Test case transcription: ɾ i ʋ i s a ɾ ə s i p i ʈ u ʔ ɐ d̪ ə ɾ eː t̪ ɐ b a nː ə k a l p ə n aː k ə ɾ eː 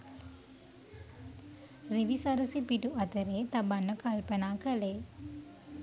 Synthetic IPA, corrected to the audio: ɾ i ʋ i s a ɾ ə s i p i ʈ u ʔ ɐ t̪ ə ɾ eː t̪ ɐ b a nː ə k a l p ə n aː k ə l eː